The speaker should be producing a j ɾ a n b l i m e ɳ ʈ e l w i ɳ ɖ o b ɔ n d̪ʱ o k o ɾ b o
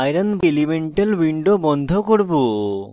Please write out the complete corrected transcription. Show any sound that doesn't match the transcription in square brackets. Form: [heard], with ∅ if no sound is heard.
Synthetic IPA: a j ɾ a n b l i m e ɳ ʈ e l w i ɳ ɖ o b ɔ n d̪ʱ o k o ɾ b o